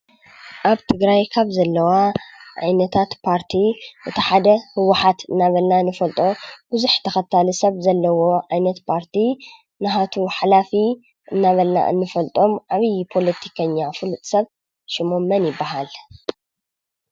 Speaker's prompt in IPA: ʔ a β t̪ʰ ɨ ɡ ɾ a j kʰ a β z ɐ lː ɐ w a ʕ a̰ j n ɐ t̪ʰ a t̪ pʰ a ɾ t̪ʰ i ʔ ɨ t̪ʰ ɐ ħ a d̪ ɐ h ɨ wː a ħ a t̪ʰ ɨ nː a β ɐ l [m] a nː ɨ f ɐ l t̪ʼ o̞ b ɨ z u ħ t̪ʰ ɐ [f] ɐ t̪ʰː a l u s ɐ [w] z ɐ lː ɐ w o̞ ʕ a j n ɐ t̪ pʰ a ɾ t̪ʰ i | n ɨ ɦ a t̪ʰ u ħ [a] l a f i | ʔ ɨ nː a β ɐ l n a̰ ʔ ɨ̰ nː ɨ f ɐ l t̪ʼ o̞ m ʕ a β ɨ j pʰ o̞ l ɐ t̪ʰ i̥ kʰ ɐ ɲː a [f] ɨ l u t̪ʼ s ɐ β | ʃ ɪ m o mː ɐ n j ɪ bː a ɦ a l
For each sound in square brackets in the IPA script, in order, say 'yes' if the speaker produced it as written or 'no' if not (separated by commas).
no, no, no, yes, yes